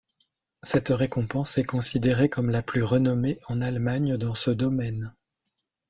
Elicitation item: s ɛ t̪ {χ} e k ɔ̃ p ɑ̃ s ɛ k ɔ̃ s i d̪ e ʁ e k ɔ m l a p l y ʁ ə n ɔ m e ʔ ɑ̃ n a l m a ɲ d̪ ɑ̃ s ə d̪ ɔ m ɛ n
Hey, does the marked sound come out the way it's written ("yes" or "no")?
no